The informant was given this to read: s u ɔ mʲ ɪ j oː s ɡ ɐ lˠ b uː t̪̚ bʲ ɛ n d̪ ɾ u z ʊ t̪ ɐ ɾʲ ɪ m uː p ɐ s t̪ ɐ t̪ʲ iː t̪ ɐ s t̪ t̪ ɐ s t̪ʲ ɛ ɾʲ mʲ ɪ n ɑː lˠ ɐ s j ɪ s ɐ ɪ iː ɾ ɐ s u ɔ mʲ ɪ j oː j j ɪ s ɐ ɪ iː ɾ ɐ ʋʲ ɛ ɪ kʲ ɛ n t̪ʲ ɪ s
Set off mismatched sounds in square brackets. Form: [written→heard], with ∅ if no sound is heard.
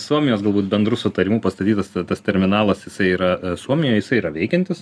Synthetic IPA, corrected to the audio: s u ɔ mʲ ɪ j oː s ɡ ɐ lˠ b uː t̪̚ bʲ ɛ n d̪ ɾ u [z→s] ʊ t̪ ɐ ɾʲ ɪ m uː p ɐ s t̪ ɐ t̪ʲ iː t̪ ɐ s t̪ t̪ ɐ s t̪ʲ ɛ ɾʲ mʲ ɪ n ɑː lˠ ɐ s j ɪ s ɐ ɪ iː ɾ ɐ s u ɔ mʲ ɪ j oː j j ɪ s ɐ ɪ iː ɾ ɐ ʋʲ ɛ ɪ kʲ ɛ n t̪ʲ ɪ s